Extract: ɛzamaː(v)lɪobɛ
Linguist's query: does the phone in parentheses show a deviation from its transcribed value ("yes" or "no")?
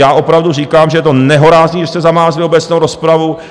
yes